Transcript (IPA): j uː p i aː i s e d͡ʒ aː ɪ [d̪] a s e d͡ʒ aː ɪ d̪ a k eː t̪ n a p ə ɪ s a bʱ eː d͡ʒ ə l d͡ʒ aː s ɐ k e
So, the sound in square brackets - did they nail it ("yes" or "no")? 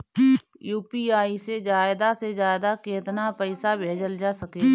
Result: yes